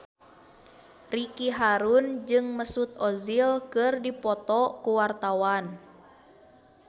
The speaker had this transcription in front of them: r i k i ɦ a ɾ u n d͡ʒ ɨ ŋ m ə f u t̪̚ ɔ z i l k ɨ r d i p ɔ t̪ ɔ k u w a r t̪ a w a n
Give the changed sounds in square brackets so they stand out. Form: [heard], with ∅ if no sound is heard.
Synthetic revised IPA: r i k i ɦ a ɾ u n d͡ʒ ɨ ŋ m ə [s] u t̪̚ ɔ z i l k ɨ r d i p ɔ t̪ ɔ k u w a r t̪ a w a n